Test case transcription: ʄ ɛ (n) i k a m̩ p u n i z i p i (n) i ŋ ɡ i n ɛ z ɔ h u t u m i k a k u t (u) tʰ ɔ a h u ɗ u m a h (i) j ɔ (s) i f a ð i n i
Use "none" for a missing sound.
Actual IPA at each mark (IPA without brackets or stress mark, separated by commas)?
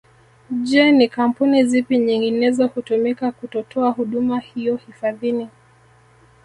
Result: n, ɲ, ɔ, i, h